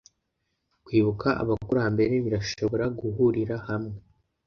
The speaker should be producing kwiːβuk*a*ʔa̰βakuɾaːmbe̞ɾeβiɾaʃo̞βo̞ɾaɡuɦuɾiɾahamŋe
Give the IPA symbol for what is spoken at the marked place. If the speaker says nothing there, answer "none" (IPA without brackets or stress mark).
a